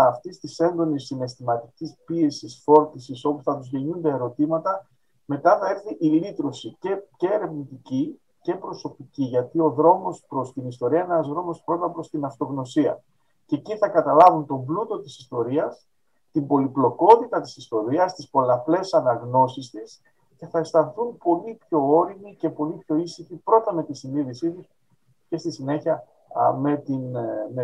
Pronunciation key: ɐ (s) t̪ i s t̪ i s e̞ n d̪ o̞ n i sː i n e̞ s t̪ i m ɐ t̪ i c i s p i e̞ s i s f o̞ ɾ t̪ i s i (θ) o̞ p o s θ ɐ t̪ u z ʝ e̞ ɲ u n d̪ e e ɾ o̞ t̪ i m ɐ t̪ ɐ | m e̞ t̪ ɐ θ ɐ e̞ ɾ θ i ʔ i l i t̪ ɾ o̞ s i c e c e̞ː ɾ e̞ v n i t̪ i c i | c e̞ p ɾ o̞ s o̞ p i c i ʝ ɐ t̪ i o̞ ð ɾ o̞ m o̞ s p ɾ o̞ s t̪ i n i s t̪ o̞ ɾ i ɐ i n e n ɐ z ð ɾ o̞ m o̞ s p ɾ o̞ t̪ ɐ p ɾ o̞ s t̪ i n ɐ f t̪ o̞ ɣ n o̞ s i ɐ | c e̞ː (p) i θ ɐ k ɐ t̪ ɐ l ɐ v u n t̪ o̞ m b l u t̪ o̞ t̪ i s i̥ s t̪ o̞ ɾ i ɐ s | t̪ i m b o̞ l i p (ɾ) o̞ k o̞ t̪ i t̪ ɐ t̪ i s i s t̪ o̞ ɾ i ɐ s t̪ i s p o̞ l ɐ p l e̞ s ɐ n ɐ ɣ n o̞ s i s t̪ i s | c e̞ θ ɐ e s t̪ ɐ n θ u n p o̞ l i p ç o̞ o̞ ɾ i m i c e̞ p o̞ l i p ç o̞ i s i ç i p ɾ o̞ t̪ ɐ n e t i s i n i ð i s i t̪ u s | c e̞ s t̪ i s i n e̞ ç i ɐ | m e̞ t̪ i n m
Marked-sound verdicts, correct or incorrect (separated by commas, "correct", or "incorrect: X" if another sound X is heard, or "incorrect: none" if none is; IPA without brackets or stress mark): incorrect: f, incorrect: s, incorrect: c, incorrect: l